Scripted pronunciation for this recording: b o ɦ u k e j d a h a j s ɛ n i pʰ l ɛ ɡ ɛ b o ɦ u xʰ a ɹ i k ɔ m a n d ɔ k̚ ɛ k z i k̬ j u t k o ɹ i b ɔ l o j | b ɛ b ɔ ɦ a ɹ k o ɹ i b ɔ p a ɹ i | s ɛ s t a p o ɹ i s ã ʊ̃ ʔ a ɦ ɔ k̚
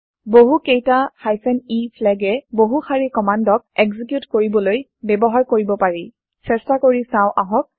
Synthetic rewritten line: b o ɦ u k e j t a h a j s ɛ n i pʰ l ɛ ɡ ɛ b o ɦ u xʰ a ɹ i k ɔ m a n d ɔ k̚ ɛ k z i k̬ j u t k o ɹ i b ɔ l o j | b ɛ b ɔ ɦ a ɹ k o ɹ i b ɔ p a ɹ i | s ɛ s t a k o ɹ i s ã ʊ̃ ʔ a ɦ ɔ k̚